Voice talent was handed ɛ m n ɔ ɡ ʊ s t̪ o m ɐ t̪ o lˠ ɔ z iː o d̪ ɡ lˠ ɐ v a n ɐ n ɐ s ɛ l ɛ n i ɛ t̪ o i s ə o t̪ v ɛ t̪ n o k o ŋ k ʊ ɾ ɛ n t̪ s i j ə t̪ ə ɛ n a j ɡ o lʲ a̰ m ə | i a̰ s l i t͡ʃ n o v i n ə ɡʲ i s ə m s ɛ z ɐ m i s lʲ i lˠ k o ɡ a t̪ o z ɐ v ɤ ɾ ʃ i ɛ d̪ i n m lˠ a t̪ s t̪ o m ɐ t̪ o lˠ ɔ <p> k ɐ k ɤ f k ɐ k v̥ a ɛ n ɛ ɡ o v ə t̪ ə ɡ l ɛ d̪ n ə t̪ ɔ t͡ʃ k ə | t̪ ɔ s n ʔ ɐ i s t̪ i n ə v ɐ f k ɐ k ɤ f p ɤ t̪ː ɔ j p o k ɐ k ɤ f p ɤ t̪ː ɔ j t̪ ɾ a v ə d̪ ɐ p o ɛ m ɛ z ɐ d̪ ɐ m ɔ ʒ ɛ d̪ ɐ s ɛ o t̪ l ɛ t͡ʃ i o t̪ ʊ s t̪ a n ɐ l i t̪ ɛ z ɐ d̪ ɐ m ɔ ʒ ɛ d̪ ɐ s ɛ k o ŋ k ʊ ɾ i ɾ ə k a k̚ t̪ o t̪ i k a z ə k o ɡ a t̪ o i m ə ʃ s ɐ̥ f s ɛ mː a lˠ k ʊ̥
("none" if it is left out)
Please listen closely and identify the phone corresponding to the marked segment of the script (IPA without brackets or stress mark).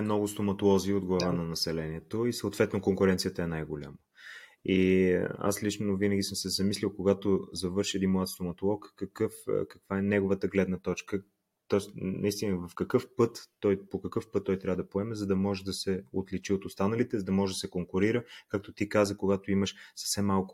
k